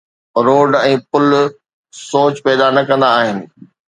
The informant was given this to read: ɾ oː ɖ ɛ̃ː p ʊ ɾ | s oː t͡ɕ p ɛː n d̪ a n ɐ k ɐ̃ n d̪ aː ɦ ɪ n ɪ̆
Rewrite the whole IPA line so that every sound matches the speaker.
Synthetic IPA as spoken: ɾ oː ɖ ɛ̃ː p ʊ l | s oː t͡ɕ p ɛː d̪ a n ɐ k ɐ̃ n d̪ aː ɦ ɪ n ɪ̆